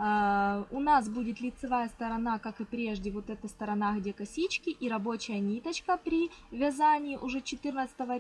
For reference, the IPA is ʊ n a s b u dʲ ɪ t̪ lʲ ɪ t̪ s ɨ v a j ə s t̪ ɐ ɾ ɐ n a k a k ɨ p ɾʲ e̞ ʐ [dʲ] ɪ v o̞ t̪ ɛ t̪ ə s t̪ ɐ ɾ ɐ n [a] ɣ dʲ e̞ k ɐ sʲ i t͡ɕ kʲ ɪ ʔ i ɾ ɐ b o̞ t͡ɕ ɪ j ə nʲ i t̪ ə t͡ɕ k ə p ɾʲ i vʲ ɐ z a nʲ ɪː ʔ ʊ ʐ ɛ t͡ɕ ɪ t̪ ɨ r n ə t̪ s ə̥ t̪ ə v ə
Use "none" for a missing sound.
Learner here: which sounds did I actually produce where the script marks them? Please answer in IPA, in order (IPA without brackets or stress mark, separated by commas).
dʲ, a